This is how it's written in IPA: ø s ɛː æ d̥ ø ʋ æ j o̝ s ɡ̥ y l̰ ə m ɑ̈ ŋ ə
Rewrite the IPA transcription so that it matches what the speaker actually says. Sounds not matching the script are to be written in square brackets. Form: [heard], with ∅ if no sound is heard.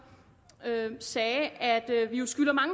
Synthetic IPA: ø s ɛː æ d̥ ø ʋ [i] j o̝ s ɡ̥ y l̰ [ɐ] m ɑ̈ ŋ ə